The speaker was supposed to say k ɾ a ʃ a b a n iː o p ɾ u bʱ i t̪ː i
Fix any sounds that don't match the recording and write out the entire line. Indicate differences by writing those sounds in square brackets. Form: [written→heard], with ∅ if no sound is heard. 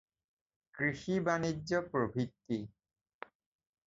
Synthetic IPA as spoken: k ɾ [a→i] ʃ [a→i] b a n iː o p ɾ [u→o] bʱ i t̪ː i